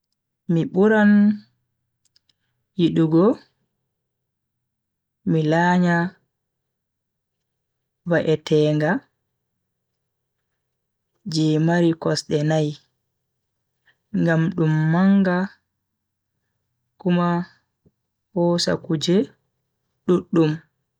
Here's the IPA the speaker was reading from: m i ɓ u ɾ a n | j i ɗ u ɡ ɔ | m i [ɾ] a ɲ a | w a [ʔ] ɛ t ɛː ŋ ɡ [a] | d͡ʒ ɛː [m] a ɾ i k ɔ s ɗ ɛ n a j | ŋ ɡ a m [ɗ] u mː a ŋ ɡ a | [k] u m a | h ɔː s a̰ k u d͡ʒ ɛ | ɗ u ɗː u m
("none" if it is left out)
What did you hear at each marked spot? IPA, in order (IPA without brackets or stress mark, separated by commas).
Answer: l, ʔ, a, m, ɗ, k